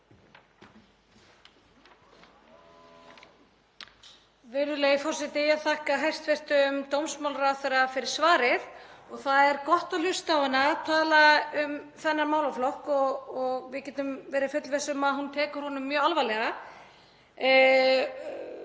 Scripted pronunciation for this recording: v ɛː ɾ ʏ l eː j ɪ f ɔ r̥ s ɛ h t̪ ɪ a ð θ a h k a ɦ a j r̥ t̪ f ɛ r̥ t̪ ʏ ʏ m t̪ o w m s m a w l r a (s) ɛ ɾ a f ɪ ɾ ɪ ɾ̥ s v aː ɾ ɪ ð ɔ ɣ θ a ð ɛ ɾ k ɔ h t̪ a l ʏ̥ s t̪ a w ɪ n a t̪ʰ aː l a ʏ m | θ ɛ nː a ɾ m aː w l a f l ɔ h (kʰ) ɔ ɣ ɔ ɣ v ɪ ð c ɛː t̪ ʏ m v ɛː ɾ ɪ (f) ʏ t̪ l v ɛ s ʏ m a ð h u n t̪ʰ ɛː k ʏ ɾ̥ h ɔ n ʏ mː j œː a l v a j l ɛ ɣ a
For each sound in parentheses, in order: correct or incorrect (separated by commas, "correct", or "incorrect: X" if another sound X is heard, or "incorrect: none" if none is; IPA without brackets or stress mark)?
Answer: incorrect: θ, incorrect: k, correct